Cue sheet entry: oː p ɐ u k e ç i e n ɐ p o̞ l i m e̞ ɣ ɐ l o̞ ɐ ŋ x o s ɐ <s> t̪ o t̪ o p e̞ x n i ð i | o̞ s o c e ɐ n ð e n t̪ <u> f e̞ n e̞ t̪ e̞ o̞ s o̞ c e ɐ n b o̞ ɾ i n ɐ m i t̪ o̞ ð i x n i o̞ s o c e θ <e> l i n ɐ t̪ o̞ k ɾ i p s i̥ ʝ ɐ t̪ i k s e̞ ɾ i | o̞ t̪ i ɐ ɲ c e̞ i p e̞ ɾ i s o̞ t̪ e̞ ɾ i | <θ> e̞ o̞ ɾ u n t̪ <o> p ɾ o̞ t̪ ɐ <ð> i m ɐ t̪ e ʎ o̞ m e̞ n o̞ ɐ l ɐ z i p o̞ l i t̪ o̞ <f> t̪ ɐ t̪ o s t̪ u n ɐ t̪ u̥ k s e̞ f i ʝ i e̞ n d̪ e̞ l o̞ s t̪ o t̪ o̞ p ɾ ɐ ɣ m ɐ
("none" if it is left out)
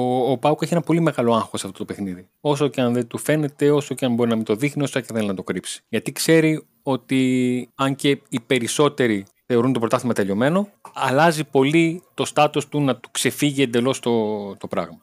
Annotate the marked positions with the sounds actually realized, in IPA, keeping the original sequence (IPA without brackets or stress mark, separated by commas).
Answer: f, u, e, θ, o, θ, s